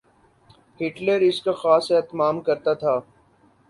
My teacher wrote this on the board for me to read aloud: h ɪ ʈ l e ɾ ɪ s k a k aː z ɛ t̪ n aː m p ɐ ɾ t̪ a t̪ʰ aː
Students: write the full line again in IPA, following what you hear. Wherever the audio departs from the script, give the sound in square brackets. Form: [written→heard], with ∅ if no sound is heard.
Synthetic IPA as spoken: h ɪ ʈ l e ɾ ɪ s k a [k→x] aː [z→s] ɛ t̪ [n→m] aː m [p→k] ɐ ɾ t̪ a t̪ʰ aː